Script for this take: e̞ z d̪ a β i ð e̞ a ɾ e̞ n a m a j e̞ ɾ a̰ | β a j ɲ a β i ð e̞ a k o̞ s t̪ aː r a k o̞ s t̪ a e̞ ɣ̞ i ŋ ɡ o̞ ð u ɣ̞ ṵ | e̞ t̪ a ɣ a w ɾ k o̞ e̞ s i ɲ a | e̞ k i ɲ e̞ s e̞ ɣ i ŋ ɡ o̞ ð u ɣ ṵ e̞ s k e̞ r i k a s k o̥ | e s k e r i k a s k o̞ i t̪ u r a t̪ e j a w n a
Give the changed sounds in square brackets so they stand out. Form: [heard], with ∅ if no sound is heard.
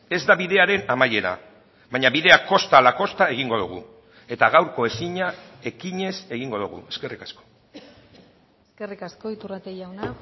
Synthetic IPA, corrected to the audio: e̞ z d̪ a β i ð e̞ a ɾ e̞ n a m a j e̞ ɾ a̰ | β a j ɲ a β i ð e̞ a k o̞ s t̪ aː [l] a k o̞ s t̪ a e̞ ɣ̞ i ŋ ɡ o̞ ð u ɣ̞ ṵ | e̞ t̪ a ɣ a w ɾ k o̞ e̞ s i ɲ a | e̞ k i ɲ e̞ s e̞ ɣ i ŋ ɡ o̞ ð u ɣ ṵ e̞ s k e̞ r i k a s k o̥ | e s k e r i k a s k o̞ i t̪ u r a t̪ e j a w n a